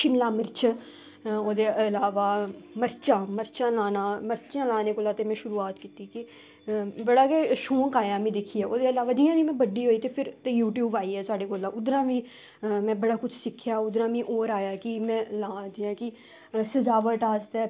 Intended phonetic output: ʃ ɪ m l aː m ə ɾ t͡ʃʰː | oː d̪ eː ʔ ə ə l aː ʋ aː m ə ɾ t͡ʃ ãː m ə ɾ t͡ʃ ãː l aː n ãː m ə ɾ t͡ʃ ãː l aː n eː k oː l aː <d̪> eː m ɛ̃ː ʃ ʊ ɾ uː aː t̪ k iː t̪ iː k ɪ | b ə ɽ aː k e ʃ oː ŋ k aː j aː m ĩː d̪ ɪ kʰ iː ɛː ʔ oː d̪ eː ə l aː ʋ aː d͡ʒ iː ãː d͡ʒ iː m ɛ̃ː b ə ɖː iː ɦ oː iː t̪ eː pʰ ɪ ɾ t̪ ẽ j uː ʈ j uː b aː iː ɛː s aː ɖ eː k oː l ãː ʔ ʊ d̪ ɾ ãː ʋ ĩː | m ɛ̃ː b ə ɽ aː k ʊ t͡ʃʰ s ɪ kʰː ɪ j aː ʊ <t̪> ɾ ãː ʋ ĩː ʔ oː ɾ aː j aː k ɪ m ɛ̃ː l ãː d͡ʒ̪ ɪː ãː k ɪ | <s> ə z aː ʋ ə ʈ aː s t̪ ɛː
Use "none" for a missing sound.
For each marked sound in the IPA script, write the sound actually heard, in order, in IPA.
t̪, d̪, s

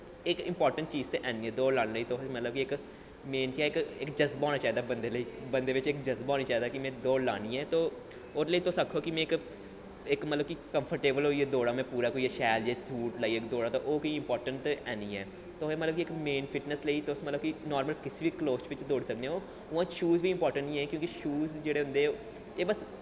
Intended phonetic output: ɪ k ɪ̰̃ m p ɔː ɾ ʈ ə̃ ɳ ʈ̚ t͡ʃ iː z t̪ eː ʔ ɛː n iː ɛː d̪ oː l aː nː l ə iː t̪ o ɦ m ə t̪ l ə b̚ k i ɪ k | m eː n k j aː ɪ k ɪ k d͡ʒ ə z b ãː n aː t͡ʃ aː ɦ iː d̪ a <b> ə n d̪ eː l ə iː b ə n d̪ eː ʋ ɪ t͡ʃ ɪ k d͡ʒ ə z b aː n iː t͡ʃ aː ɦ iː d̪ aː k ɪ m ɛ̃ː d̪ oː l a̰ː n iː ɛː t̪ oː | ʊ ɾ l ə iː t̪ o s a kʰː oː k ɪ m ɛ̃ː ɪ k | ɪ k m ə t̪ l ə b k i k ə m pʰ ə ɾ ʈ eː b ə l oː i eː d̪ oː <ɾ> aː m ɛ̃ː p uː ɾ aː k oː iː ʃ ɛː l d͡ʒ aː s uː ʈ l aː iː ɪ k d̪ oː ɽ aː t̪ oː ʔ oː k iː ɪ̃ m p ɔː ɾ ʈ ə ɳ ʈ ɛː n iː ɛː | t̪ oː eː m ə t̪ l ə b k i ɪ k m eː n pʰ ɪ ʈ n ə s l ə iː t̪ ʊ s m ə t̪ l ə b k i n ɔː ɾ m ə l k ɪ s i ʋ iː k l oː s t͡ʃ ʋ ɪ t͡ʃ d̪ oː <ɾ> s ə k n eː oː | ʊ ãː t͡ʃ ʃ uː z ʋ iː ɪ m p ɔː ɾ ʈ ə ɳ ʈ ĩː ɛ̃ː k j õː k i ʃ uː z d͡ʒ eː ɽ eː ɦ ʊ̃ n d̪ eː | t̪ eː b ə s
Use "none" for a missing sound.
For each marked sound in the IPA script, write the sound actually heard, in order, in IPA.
b, ɽ, ɽ

